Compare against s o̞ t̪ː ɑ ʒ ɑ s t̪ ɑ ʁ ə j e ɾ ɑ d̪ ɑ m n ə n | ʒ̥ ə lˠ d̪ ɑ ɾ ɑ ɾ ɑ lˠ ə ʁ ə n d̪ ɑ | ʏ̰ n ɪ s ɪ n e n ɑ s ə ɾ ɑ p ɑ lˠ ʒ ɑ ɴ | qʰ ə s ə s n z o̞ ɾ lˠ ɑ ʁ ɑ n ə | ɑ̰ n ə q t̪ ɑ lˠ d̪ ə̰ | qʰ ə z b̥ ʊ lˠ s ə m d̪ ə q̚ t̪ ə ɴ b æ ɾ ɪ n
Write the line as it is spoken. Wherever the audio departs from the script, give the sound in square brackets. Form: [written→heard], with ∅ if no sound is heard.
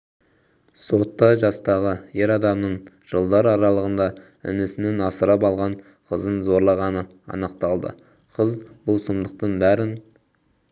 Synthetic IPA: s o̞ t̪ː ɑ ʒ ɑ s t̪ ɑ ʁ ə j e ɾ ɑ d̪ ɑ m n ə [n→ɴ] | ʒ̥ ə lˠ d̪ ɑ ɾ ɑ ɾ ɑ lˠ ə ʁ ə n d̪ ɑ | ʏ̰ n ɪ s ɪ n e n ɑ s ə ɾ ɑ p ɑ lˠ [ʒ→ʁ] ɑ ɴ | qʰ ə [s→z] ə [s→∅] n z o̞ ɾ lˠ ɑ ʁ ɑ n ə | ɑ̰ n ə q t̪ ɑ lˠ d̪ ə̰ | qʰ ə z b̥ ʊ lˠ s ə m d̪ ə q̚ t̪ ə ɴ b æ ɾ ɪ n